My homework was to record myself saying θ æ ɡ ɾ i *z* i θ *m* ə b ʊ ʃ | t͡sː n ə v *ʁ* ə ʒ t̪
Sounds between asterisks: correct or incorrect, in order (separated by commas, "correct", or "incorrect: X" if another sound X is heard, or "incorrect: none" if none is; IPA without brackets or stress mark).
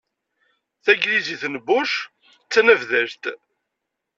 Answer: correct, incorrect: n, incorrect: ð